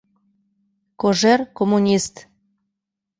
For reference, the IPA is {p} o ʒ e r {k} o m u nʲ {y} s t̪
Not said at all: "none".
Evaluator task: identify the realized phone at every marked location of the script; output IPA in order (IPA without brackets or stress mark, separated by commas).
k, k, i